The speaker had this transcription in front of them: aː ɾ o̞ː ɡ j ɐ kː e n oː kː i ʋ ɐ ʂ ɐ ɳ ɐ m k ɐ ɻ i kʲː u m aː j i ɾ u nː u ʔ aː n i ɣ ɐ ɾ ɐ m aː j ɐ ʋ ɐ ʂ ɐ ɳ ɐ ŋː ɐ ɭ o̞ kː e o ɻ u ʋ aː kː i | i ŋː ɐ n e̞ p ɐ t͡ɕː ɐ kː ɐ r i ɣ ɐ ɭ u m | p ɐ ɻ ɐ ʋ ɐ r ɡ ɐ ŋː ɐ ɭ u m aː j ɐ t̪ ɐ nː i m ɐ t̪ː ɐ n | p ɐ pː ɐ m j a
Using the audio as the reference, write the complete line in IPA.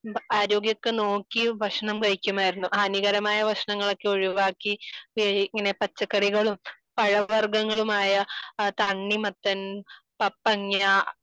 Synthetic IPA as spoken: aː ɾ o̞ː ɡ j ɐ kː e n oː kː i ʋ ɐ ʂ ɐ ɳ ɐ m k ɐ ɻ i kʲː u m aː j i ɾ u nː u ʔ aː n i ɣ ɐ ɾ ɐ m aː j ɐ ʋ ɐ ʂ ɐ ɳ ɐ ŋː ɐ ɭ o̞ kː e o ɻ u ʋ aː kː i | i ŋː ɐ n e̞ p ɐ t͡ɕː ɐ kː ɐ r i ɣ ɐ ɭ u m | p ɐ ɻ ɐ ʋ ɐ r ɡ ɐ ŋː ɐ ɭ u m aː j ɐ t̪ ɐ ɳː i m ɐ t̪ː ɐ n | p ɐ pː ɐ ŋ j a